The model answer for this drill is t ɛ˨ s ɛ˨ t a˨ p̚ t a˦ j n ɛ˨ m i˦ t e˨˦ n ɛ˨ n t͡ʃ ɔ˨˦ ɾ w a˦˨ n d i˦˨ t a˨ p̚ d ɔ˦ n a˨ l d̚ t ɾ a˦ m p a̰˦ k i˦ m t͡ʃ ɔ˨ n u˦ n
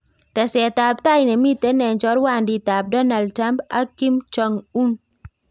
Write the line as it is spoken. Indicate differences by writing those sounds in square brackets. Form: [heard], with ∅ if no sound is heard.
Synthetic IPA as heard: t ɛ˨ s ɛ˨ t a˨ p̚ t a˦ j n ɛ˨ m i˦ t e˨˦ n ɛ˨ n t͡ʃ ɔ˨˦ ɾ w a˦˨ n d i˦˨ t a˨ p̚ d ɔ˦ n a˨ l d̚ t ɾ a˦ m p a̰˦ k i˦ m t͡ʃ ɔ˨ [ŋ] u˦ n